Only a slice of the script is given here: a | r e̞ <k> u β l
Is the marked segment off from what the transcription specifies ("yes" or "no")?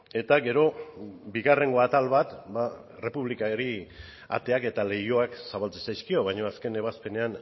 yes